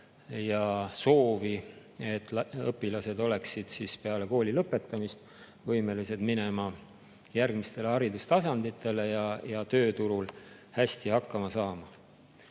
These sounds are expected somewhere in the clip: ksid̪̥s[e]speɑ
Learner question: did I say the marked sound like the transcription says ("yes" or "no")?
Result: no